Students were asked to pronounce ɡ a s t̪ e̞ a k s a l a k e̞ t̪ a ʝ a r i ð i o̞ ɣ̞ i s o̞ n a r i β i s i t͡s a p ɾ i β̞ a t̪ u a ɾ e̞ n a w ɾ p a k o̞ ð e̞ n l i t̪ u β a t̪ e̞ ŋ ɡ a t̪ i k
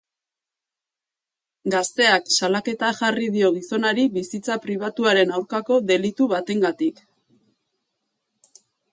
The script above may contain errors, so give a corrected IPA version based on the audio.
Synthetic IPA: ɡ a s t̪ e̞ a k s a l a k e̞ t̪ a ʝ a r i ð i o̞ ɣ̞ i s o̞ n a ɾ i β i s i t͡s a p ɾ i β̞ a t̪ u a ɾ e̞ n a w ɾ k a k o̞ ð e̞ l i t̪ u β a t̪ e̞ ŋ ɡ a t̪ i k